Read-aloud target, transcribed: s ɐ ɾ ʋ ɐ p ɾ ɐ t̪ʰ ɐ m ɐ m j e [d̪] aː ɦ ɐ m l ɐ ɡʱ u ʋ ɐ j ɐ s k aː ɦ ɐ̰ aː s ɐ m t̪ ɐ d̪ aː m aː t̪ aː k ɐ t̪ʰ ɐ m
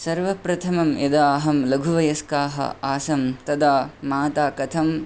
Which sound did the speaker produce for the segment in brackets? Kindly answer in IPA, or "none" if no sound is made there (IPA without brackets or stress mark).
d̪